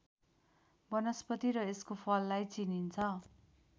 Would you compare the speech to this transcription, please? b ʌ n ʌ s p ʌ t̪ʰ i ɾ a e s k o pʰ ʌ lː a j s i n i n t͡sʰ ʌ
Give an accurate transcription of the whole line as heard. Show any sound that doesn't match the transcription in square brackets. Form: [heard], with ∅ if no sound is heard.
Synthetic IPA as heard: b ʌ n ʌ s p ʌ [t̪] i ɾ [ʌ] e s k o pʰ ʌ lː a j [t͡s] i n i n t͡sʰ ʌ

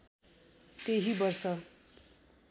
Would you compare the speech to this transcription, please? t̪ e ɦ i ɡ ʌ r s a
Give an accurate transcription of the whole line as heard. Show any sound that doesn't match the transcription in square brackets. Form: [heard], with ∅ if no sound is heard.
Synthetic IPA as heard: t̪ e ɦ i [b] ʌ r s [ʌ]

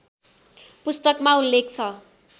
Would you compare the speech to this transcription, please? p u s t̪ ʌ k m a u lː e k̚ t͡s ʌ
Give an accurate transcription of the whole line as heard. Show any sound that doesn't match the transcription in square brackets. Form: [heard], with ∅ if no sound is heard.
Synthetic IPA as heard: p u s t̪ ʌ k m a u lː e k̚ [t͡sʰ] ʌ

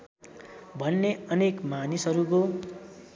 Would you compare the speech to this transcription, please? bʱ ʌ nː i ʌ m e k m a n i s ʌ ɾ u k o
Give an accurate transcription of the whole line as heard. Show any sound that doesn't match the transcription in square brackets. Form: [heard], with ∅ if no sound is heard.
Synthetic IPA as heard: bʱ ʌ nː [e] ʌ [n] e k m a n i s ʌ ɾ u k o

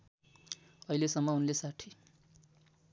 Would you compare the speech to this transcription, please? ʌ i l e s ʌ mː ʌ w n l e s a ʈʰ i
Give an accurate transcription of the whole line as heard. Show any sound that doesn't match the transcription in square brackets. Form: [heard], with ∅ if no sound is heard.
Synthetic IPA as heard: ʌ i l e s ʌ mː ʌ [u] n l e s a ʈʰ i

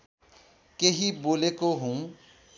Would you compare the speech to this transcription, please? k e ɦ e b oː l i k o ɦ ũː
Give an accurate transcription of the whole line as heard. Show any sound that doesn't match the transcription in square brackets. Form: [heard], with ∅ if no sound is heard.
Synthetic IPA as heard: k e ɦ [i] b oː l [e] k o ɦ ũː

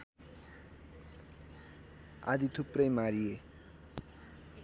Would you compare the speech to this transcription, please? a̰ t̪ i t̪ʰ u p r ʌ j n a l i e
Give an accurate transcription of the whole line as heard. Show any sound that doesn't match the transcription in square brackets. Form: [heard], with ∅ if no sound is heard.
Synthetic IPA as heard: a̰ [d̪] i t̪ʰ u p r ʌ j [m] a [ɾ] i e

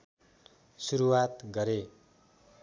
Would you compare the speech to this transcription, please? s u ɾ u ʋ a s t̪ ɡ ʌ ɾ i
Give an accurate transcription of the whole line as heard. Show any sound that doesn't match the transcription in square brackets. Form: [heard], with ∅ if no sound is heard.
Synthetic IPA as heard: s u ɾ u [w] a [∅] t̪ ɡ ʌ ɾ [e]

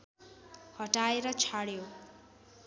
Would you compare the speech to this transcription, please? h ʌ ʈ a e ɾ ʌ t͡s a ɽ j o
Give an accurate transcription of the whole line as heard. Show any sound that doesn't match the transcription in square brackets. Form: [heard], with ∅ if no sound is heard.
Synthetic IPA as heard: h ʌ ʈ a e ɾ ʌ [t͡sʰ] a ɽ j o

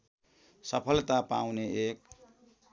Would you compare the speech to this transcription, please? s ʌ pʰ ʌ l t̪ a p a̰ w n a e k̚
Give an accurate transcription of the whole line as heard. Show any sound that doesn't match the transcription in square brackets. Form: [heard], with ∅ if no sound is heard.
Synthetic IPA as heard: s ʌ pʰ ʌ l t̪ a p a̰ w n [e] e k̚

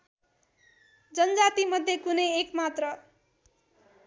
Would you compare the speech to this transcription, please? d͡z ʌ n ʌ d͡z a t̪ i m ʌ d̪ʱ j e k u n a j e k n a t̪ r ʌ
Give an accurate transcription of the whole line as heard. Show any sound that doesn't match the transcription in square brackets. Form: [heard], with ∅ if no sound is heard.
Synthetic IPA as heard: d͡z ʌ n ʌ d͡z a t̪ i m ʌ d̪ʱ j e k u n [ʌ] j e k [m] a t̪ r ʌ

